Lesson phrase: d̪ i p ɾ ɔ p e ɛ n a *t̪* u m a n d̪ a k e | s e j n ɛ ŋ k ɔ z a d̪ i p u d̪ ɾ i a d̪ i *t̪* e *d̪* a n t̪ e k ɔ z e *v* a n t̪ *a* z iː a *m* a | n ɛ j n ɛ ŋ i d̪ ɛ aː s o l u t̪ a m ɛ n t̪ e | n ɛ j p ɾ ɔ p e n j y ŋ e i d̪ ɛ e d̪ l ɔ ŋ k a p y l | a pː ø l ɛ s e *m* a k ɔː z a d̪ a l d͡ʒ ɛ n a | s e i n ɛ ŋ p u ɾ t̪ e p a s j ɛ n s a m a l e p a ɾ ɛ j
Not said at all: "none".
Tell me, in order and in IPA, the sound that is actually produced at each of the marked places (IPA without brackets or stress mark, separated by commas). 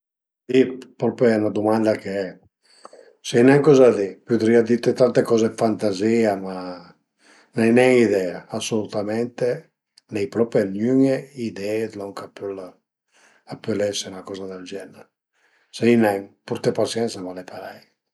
d̪, t̪, t̪, f, a, m, n